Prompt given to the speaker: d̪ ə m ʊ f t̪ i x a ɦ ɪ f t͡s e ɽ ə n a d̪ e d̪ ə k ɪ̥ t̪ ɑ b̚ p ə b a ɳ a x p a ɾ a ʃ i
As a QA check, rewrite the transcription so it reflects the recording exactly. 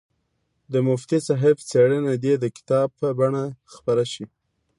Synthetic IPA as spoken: d̪ ə m ʊ f t̪ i s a ɦ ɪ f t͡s e ɽ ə n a d̪ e d̪ ə k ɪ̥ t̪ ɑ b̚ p ə b a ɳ a x p a ɾ a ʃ i